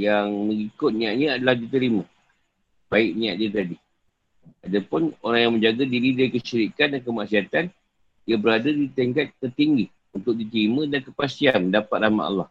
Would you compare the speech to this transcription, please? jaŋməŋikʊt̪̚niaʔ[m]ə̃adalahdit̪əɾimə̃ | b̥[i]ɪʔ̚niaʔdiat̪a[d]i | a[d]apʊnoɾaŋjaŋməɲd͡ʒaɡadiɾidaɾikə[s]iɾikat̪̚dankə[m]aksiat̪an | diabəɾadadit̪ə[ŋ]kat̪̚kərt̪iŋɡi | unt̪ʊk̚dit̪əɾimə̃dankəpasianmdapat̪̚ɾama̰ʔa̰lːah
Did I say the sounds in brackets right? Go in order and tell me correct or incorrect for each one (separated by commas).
incorrect, incorrect, correct, correct, incorrect, correct, correct